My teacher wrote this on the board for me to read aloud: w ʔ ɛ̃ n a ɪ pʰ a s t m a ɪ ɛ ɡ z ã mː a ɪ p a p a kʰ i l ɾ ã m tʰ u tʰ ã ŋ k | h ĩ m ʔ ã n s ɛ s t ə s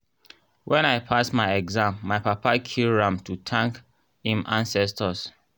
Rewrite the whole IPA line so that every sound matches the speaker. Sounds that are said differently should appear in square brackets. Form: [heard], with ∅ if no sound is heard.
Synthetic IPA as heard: w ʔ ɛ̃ n a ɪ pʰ a s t m a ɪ ɛ ɡ z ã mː a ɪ p a p a kʰ i l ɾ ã m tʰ u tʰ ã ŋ k | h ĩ m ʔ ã n s ɛ s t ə s